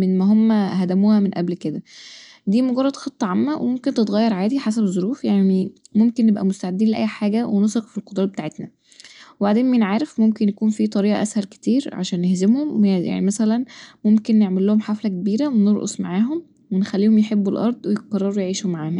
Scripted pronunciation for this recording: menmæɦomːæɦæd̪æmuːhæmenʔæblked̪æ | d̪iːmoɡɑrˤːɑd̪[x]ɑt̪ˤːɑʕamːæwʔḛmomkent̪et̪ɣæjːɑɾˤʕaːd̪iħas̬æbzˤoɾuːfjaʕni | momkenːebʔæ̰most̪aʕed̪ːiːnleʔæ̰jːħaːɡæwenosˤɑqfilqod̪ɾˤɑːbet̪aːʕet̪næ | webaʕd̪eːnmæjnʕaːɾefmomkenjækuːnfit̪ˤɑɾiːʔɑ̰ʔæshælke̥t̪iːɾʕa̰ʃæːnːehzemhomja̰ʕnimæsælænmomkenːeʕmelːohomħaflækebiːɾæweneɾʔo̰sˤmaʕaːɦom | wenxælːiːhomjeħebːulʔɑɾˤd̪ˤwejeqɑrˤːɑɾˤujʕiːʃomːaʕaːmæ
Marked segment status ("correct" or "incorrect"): correct